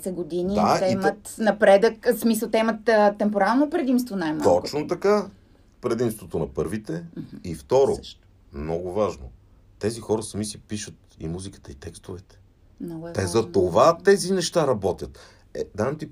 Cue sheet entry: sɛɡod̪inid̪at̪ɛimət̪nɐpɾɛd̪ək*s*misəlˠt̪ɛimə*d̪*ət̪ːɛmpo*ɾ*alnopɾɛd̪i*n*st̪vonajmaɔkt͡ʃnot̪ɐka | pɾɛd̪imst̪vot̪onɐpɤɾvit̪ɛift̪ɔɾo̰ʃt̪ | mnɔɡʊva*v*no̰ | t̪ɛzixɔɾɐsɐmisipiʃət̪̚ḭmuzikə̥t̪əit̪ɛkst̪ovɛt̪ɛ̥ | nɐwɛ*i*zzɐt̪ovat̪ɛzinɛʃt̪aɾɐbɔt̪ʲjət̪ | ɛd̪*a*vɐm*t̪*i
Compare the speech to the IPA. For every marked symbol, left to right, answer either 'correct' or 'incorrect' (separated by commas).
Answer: correct, incorrect, correct, incorrect, incorrect, incorrect, correct, correct